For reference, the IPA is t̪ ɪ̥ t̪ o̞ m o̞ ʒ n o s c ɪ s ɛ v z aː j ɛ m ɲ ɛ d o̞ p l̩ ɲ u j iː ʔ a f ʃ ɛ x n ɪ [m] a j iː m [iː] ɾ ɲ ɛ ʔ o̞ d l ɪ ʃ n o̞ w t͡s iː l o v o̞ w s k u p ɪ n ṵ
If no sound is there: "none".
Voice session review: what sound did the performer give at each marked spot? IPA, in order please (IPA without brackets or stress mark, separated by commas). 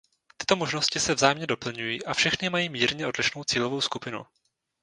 m, iː